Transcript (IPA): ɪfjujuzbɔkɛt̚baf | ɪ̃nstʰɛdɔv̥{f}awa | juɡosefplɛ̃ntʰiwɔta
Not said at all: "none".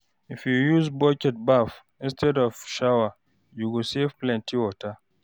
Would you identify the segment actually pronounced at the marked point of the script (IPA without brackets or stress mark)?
ʃ